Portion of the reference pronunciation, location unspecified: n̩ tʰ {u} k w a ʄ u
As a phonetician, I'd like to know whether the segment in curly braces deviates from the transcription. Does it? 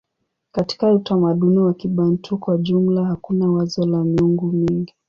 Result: no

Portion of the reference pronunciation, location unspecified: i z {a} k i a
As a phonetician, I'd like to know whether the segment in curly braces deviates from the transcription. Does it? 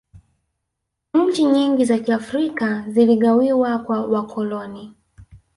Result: no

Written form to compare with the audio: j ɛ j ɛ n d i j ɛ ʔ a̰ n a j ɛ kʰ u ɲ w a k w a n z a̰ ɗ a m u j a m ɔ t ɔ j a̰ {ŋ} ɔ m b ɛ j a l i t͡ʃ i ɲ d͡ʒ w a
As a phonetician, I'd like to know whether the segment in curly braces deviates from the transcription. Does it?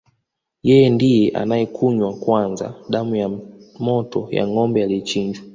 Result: no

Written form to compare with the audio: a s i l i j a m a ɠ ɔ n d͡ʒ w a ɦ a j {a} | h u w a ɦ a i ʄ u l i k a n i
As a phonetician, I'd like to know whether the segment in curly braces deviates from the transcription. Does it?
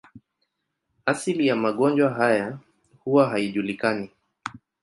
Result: no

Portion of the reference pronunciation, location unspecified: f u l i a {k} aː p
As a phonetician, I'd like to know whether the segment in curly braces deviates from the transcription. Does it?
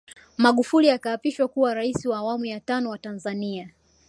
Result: no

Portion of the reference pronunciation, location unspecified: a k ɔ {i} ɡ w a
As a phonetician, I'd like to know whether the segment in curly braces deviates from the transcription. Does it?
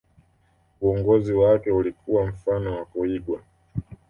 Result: no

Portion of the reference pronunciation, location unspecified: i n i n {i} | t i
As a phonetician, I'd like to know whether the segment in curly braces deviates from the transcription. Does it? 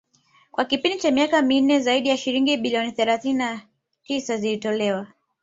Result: yes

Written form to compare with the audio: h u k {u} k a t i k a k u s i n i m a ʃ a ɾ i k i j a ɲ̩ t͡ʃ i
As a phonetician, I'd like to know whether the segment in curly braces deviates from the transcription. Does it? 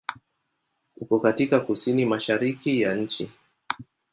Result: yes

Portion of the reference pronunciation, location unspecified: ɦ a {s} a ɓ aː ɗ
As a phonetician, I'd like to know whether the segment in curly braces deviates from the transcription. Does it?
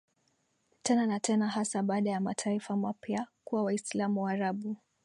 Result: no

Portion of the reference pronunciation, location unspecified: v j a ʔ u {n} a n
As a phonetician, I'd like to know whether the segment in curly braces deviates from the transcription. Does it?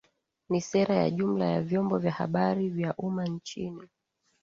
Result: yes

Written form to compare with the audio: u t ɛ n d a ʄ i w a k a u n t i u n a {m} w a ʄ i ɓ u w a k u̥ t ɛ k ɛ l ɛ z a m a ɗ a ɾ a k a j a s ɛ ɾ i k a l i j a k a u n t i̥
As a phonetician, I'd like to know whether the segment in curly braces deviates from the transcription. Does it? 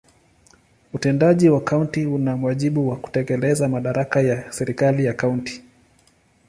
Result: no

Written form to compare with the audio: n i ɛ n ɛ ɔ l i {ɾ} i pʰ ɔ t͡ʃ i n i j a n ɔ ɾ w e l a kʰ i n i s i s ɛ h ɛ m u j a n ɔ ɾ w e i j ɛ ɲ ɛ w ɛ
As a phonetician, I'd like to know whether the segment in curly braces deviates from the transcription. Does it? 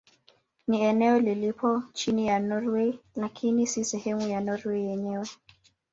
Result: yes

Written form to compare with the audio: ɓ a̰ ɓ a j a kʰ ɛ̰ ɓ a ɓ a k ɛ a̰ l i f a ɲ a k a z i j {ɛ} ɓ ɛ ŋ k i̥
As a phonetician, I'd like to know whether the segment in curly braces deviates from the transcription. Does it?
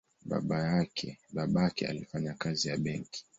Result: yes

